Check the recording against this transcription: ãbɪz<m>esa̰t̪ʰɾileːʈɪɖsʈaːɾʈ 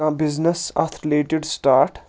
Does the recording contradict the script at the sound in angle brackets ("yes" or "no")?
yes